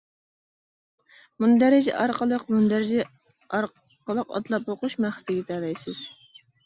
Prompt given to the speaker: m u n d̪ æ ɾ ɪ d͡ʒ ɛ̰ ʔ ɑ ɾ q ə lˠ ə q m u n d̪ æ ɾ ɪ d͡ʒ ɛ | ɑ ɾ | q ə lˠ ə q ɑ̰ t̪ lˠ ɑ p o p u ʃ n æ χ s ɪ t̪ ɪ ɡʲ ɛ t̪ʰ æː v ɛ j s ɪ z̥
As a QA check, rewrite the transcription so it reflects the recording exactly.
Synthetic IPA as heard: m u n d̪ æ ɾ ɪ d͡ʒ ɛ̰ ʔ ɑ ɾ q ə lˠ ə q m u n d̪ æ ɾ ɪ d͡ʒ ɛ | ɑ ɾ | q ə lˠ ə q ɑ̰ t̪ lˠ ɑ p o q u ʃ m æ χ s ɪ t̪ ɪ ɡʲ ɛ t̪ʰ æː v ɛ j s ɪ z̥

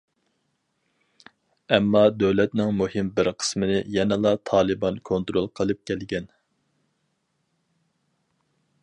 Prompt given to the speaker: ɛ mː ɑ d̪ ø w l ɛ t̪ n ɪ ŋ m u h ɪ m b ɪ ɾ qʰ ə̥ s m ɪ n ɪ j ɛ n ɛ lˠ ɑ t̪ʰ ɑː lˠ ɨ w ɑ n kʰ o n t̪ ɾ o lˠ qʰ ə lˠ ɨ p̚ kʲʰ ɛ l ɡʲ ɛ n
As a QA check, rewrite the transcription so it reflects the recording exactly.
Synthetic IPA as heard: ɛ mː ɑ d̪ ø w l ɛ t̪ n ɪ ŋ m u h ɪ m b ɪ ɾ qʰ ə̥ s m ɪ n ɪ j ɛ n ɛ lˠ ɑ t̪ʰ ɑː lˠ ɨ b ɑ n kʰ o n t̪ ɾ o lˠ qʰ ə lˠ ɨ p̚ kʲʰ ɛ l ɡʲ ɛ n

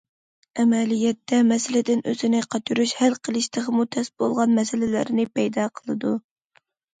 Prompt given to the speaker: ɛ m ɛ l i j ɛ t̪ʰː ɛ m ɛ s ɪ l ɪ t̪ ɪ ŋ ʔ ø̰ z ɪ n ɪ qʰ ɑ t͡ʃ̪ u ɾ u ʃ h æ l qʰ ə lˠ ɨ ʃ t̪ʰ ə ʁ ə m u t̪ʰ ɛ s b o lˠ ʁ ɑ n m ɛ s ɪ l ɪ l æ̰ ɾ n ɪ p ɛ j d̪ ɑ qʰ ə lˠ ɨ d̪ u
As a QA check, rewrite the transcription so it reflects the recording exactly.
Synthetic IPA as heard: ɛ m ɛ l i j ɛ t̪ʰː ɛ m ɛ s ɪ l ɪ d̪ ɪ n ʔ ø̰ z ɪ n ɪ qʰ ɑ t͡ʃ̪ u ɾ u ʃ h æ l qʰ ə lˠ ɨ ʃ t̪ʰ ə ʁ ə m u t̪ʰ ɛ s b o lˠ ʁ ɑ n m ɛ s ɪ l ɪ l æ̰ ɾ n ɪ p ɛ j d̪ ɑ qʰ ə lˠ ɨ d̪ u

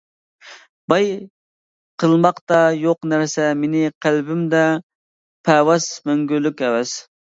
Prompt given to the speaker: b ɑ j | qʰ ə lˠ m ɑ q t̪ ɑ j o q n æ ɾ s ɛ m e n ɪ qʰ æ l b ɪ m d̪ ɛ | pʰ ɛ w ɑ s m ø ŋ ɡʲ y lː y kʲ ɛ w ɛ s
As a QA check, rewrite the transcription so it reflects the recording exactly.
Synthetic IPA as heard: b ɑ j | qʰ ə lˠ m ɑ q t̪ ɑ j o q n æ ɾ s ɛ m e n ɪ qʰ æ l b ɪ m d̪ ɛ | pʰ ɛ w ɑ s m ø ŋ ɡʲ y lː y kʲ ɛ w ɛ s

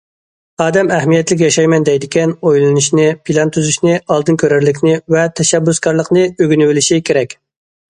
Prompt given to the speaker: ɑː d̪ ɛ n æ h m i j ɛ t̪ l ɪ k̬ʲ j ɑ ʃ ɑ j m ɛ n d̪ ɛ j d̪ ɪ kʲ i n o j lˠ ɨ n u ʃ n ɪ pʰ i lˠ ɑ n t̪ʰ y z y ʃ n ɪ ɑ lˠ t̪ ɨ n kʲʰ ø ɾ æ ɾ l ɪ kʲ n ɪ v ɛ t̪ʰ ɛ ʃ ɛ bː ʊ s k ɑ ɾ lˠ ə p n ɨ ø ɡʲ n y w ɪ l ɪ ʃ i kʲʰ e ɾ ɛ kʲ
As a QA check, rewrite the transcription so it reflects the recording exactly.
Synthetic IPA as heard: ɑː d̪ ɛ m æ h m i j ɛ t̪ l ɪ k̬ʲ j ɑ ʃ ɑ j m ɛ n d̪ ɛ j d̪ ɪ kʲ ɛ n o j lˠ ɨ n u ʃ n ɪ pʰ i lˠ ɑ n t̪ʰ y z y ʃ n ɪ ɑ lˠ d̪ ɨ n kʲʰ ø ɾ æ ɾ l ɪ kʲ n ɪ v ɛ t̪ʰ ɛ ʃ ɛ bː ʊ s k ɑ ɾ lˠ ə q n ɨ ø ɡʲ n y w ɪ l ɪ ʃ i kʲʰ e ɾ ɛ kʲ

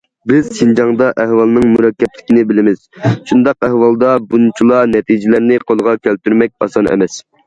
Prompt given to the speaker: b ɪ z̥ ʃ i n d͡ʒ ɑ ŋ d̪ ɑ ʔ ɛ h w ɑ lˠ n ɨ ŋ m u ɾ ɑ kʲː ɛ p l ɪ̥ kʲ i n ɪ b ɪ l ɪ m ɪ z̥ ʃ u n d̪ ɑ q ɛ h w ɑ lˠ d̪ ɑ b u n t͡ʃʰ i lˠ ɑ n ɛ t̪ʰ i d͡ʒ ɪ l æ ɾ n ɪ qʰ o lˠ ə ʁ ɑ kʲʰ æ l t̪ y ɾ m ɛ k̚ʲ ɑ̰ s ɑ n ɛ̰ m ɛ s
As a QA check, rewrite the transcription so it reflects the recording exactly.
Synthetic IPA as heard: b ɪ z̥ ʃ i n d͡ʒ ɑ ŋ d̪ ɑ ʔ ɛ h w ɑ lˠ n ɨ ŋ m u ɾ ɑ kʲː ɛ p l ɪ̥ kʲ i n ɪ b ɪ l ɪ m ɪ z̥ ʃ u n d̪ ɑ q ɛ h w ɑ lˠ d̪ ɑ b u n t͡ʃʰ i lˠ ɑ n ɛ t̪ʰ i d͡ʒ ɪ l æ ɾ n ɪ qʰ o lˠ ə ʁ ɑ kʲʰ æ l t̪ y ɾ m ɛ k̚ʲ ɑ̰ s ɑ n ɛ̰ m ɛ s

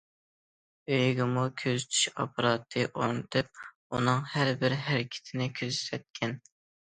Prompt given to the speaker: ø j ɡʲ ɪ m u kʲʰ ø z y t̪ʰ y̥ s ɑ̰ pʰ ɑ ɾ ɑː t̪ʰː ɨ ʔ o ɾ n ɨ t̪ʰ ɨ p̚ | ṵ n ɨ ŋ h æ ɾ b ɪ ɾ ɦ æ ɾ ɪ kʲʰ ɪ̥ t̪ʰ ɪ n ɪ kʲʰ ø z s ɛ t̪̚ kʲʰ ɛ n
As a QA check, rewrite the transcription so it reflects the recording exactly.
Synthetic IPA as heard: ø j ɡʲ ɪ m u kʲʰ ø z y t̪ʰ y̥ ʃ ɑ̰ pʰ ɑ ɾ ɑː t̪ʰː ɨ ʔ o ɾ n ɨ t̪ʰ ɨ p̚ | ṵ n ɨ ŋ h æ ɾ b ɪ ɾ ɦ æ ɾ ɪ kʲʰ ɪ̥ t̪ʰ ɪ n ɪ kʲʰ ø z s ɛ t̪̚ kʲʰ ɛ n

